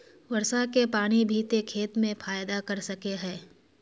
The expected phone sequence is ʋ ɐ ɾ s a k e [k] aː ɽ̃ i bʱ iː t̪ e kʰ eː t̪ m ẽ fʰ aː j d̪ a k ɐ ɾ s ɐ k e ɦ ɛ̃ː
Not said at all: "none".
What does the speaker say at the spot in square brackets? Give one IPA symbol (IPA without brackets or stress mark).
p